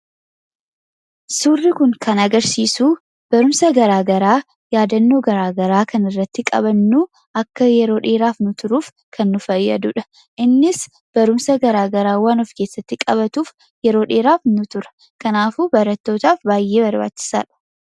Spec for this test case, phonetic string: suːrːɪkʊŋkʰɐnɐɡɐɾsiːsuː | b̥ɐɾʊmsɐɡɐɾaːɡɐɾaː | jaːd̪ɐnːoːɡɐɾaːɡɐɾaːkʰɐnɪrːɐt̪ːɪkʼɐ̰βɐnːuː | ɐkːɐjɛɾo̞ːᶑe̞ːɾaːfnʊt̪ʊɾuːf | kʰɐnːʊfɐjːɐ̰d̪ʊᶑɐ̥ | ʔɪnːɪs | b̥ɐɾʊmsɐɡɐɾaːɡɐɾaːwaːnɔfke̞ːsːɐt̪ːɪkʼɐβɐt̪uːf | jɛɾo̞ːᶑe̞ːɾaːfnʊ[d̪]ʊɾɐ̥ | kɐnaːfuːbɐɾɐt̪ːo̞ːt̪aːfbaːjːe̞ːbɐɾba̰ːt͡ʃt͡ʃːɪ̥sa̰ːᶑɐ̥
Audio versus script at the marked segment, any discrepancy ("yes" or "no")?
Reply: yes